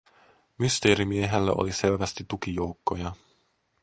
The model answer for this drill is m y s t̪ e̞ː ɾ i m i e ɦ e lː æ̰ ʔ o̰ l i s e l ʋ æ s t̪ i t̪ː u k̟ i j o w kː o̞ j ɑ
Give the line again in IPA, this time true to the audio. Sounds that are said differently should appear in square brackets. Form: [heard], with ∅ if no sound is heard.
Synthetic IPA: m y s t̪ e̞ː ɾ i m i e ɦ e lː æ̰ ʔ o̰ l i s e l ʋ æ s t̪ i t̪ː u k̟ i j o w kː o̞ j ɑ